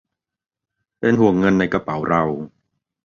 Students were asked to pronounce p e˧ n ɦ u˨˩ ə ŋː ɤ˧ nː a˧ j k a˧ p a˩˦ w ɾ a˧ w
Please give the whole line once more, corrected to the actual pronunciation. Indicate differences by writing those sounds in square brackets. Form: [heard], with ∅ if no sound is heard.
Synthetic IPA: p e˧ n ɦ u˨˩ ə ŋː ɤ˧ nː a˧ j k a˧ p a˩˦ w ɾ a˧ w